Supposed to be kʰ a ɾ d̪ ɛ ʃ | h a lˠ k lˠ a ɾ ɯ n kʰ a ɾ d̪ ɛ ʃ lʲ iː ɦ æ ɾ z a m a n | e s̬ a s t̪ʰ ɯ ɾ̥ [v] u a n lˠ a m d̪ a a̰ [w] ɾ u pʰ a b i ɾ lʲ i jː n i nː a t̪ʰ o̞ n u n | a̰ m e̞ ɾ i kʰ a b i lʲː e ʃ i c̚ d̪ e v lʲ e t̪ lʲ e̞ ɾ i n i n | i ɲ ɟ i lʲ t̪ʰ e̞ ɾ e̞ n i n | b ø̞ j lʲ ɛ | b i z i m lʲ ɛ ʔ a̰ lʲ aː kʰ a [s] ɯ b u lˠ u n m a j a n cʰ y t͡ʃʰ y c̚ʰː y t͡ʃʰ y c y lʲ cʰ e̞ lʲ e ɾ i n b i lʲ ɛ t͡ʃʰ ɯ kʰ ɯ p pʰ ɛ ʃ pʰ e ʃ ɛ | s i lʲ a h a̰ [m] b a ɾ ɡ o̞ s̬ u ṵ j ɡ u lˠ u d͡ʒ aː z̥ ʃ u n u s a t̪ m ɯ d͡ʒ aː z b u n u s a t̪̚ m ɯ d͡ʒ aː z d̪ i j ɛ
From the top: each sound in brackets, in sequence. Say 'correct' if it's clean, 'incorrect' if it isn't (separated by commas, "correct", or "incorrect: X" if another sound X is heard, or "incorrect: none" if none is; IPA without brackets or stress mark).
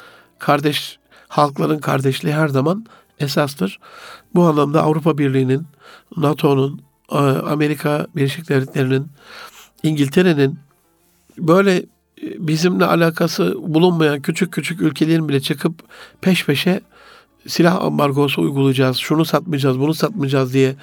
incorrect: b, incorrect: v, correct, correct